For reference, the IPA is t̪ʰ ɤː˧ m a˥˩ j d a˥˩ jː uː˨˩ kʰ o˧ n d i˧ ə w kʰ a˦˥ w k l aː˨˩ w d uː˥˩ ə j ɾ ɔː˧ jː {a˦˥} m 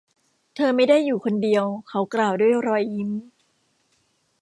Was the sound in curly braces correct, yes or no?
no